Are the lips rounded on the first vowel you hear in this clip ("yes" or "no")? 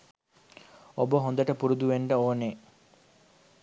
yes